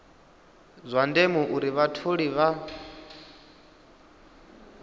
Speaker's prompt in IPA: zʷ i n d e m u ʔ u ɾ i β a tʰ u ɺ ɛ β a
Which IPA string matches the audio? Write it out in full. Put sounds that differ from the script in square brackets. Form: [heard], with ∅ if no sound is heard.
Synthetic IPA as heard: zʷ [a] n d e m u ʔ u ɾ i β a tʰ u ɺ [i] β a